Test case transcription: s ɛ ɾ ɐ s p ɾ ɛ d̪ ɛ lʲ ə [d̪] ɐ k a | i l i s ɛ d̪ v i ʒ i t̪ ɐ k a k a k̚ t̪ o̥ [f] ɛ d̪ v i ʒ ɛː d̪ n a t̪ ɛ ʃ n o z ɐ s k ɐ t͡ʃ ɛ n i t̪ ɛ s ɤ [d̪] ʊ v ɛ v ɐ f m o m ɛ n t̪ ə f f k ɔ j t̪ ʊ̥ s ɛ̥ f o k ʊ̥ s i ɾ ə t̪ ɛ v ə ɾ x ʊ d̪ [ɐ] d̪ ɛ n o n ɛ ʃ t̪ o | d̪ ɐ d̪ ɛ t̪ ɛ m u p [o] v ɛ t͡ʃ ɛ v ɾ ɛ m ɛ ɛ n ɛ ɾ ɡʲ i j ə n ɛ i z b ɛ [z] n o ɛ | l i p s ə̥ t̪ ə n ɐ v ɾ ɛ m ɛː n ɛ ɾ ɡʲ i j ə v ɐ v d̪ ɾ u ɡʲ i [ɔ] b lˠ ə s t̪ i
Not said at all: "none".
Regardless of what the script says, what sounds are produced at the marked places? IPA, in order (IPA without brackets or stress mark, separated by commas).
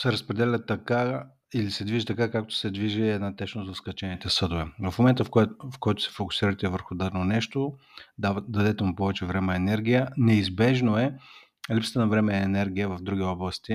t̪, s, d̪, a, ɔ, ʒ, ɔ